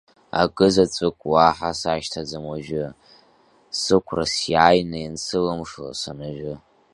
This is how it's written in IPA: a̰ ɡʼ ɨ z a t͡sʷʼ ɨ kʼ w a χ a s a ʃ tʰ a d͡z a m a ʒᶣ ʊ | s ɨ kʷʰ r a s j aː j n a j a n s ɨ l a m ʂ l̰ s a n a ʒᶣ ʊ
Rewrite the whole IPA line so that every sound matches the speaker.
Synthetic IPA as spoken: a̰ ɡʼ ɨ z a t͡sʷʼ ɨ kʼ w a ħ a s a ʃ tʰ a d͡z a m a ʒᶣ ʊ | s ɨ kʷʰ r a s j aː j n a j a n s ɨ l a m ʂ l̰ s a n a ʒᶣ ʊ